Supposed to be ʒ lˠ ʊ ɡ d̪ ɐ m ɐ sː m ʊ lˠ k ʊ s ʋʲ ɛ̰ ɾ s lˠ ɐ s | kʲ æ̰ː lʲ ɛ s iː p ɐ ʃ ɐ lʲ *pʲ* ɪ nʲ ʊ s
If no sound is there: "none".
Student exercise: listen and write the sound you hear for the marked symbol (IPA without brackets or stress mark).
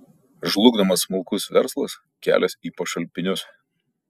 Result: pʲ